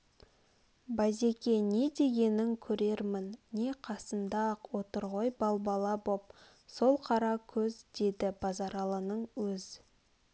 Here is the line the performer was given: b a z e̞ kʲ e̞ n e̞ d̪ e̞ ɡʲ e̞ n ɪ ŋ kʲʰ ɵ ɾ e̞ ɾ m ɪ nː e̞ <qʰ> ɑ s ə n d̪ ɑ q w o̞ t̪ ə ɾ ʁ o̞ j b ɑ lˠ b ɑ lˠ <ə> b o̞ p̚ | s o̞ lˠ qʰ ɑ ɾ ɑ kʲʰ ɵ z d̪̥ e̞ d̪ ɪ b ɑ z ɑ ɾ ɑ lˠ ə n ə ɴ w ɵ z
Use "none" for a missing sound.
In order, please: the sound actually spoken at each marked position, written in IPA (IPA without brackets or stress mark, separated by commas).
qʰ, ɑ